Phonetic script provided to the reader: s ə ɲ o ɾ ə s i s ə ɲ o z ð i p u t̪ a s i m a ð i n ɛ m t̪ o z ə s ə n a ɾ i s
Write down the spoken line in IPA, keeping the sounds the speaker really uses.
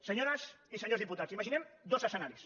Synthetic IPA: s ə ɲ o ɾ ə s i s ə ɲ o z ð i p u t̪ a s i m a ʒ i n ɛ m d̪ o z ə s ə n a ɾ i s